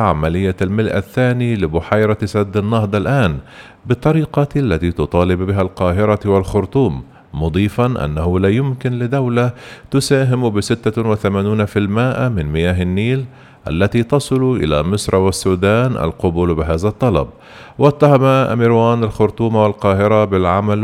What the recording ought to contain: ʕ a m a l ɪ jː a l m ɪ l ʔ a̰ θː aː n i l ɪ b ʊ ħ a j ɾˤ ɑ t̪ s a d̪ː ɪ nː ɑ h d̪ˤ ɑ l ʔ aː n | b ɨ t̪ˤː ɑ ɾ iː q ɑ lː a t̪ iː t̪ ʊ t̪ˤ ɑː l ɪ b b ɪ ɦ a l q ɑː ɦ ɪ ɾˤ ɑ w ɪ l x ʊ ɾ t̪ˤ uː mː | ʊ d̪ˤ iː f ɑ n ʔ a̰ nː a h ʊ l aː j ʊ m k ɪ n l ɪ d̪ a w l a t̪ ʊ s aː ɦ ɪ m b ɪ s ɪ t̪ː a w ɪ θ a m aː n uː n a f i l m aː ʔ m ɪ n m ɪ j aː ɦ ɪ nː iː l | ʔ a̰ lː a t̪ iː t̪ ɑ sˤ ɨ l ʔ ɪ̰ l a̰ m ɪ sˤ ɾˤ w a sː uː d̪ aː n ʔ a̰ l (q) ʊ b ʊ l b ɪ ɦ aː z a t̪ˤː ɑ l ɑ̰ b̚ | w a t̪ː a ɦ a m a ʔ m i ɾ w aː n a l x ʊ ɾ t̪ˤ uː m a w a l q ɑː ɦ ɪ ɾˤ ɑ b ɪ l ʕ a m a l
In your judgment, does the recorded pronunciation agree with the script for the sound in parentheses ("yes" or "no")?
yes